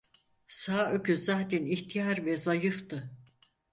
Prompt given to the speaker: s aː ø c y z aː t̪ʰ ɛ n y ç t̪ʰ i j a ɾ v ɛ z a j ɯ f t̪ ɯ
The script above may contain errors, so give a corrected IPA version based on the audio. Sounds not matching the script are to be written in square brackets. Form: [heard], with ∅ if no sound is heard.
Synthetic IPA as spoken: s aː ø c y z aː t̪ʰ ɛ n [i] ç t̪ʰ i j a ɾ v ɛ z a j ɯ f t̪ ɯ